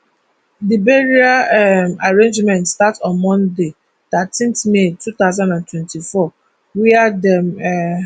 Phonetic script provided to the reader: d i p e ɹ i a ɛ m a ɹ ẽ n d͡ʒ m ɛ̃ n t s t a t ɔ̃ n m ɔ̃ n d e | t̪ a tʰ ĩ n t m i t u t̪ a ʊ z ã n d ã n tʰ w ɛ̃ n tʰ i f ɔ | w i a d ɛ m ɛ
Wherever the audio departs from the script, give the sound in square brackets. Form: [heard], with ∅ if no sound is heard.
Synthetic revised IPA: d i [b] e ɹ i a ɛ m a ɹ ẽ n d͡ʒ m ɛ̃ n t s t a t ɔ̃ n m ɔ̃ n d e | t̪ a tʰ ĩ n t m [e] t u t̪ a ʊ z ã n d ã n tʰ w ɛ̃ n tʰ i f ɔ | w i a d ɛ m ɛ